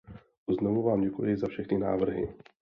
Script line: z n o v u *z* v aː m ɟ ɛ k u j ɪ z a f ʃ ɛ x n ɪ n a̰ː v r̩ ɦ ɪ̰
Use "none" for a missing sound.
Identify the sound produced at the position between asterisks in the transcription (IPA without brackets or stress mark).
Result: none